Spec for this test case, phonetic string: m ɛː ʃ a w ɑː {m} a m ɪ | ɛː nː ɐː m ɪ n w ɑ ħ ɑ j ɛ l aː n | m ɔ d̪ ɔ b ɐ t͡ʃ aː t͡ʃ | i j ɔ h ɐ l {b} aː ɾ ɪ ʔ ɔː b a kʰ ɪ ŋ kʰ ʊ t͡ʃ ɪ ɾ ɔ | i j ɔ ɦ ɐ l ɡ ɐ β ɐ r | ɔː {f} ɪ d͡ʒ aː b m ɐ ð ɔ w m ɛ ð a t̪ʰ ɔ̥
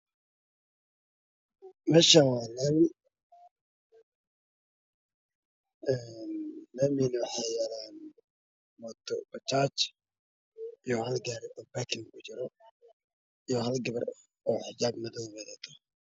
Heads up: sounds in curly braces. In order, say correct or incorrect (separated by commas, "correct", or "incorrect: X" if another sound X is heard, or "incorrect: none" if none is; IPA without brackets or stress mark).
incorrect: n, incorrect: ɡ, incorrect: ħ